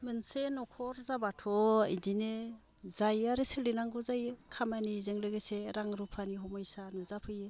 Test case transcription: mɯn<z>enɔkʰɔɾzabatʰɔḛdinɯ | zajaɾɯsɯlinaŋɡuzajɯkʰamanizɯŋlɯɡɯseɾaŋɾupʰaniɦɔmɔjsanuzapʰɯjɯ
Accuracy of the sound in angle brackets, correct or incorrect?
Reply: incorrect